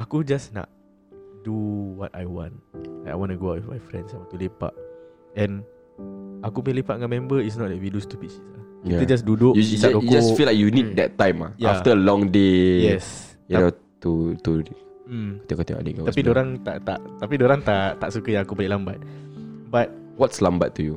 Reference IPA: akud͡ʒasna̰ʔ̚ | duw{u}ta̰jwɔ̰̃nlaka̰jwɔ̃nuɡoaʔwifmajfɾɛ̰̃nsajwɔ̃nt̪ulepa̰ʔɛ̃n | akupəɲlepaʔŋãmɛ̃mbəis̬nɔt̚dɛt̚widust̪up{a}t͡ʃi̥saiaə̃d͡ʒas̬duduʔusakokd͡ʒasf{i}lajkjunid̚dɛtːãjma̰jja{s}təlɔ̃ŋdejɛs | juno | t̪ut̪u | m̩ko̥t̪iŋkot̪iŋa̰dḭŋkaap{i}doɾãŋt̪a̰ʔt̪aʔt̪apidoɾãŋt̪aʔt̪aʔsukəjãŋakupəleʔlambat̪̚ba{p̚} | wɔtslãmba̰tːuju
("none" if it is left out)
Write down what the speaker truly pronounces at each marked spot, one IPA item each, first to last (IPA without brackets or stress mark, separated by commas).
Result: ɔ, i, i, f, i, t̚